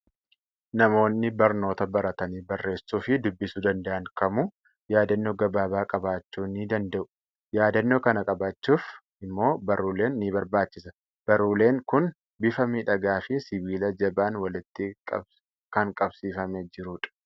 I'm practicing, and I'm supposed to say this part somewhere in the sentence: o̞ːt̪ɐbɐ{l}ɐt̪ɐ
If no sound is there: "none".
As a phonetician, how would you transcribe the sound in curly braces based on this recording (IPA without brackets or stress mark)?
ɾ